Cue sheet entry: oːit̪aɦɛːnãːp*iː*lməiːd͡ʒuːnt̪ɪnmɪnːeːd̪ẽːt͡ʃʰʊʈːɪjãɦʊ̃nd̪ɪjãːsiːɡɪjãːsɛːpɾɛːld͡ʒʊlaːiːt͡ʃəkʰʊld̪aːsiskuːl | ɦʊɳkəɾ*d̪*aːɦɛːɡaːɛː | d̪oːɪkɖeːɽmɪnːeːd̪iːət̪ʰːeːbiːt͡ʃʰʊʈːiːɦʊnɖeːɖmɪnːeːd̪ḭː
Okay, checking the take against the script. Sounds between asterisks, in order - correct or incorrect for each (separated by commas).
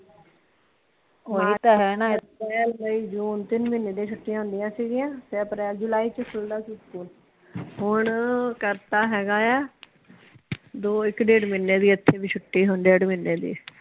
incorrect, incorrect